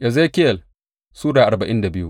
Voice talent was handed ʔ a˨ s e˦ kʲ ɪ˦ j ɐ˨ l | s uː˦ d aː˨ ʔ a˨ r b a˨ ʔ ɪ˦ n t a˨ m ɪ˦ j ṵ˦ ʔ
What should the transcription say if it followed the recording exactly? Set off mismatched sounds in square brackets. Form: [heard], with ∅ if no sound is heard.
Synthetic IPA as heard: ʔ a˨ [z] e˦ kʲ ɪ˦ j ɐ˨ l | s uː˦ d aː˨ ʔ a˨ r b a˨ ʔ ɪ˦ n [d] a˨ [b] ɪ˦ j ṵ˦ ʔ